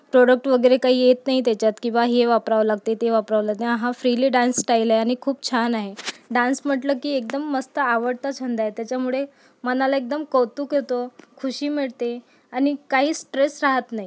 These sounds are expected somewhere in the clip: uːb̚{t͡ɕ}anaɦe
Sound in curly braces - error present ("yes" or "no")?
yes